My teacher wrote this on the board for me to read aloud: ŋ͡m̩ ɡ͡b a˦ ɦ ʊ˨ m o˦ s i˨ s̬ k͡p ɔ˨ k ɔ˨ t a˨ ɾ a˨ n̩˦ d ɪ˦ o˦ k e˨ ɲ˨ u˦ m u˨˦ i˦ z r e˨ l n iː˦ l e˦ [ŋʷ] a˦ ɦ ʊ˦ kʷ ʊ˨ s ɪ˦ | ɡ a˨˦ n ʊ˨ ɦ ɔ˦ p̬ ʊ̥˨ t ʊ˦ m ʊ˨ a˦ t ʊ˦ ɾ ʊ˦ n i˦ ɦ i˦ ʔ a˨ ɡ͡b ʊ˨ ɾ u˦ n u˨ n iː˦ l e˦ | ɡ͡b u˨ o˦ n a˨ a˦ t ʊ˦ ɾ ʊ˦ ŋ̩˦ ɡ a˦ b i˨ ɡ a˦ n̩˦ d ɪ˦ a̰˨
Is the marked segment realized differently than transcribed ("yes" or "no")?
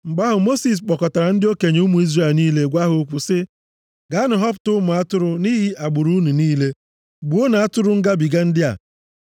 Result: yes